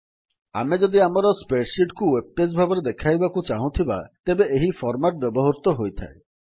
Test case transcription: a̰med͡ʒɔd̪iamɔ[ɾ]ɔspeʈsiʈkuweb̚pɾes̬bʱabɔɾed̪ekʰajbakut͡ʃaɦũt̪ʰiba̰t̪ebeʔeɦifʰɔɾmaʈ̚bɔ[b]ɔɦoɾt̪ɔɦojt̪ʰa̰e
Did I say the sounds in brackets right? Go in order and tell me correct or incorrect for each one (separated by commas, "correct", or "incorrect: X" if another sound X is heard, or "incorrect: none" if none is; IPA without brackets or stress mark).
correct, correct